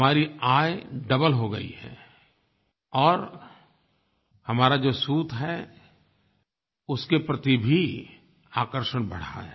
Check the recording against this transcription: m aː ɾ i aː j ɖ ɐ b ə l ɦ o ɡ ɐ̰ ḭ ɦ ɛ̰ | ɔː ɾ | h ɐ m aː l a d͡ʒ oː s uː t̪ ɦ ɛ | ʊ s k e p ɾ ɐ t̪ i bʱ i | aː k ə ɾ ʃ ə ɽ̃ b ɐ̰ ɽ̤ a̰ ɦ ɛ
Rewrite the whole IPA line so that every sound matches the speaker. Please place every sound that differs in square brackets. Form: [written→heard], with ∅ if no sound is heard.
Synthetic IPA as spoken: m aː ɾ i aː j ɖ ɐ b ə l ɦ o ɡ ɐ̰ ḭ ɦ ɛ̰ | ɔː ɾ | h ɐ m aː [l→ɾ] a d͡ʒ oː s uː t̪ ɦ ɛ | ʊ s k e p ɾ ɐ t̪ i bʱ i | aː k ə ɾ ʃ ə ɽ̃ b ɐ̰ ɽ̤ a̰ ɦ ɛ